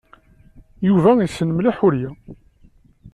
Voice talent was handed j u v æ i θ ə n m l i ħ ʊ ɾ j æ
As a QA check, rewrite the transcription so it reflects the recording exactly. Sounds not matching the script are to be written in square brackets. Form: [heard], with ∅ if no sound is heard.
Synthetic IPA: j u v æ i [s] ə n m l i ħ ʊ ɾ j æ